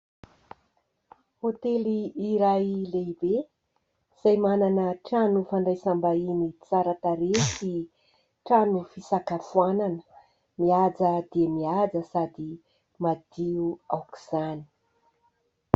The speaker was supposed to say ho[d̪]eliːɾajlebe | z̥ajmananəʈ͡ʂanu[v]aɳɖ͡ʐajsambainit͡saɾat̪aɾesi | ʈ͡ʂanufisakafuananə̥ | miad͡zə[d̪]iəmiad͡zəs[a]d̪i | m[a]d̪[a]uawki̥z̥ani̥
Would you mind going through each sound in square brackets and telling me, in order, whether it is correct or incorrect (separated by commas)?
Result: incorrect, incorrect, correct, correct, correct, incorrect